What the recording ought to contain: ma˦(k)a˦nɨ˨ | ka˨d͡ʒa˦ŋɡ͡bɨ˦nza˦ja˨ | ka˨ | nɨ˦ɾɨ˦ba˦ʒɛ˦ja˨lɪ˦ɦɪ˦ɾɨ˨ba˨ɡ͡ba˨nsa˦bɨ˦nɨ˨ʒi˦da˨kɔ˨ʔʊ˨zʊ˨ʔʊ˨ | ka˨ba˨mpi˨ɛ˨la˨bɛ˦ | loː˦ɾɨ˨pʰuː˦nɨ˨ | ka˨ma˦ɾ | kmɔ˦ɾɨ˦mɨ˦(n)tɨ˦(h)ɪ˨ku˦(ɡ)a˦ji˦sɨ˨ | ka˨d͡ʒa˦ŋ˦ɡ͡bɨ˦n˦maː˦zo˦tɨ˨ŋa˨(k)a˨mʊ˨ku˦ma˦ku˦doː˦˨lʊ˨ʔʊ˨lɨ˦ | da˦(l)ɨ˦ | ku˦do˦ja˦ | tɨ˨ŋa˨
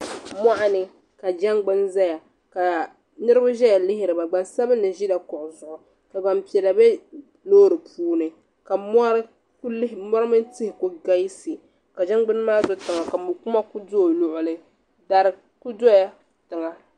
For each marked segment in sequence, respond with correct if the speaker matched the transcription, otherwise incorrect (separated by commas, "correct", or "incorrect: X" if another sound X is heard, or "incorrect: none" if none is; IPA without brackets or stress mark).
incorrect: ʔ, correct, correct, correct, correct, incorrect: ɾ